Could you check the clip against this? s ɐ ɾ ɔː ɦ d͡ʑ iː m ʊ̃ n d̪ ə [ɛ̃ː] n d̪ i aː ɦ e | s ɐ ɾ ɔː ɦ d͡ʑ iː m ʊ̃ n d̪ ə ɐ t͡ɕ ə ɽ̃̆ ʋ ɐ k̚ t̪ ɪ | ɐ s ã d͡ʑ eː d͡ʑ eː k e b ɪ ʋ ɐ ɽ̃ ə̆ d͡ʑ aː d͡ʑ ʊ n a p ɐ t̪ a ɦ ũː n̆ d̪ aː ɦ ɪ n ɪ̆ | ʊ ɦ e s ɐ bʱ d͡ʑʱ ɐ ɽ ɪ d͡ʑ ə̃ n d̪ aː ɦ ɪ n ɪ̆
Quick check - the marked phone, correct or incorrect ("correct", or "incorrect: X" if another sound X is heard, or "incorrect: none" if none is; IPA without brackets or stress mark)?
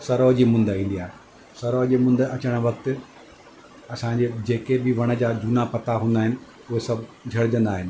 incorrect: ĩː